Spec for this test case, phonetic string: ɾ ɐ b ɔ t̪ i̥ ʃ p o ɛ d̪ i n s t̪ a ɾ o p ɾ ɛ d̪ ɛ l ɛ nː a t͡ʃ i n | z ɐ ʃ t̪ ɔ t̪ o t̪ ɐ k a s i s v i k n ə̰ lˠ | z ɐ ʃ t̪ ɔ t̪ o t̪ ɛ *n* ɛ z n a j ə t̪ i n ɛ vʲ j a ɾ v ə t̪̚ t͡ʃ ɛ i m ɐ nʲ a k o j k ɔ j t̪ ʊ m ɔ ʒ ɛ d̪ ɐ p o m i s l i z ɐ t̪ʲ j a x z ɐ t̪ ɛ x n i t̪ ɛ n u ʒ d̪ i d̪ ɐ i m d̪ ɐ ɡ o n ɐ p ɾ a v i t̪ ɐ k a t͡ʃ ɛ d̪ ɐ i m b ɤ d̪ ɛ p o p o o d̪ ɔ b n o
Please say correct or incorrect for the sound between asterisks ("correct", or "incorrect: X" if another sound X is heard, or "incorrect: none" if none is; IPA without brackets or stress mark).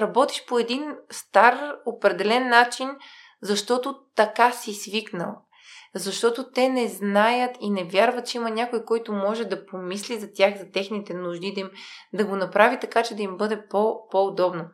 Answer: correct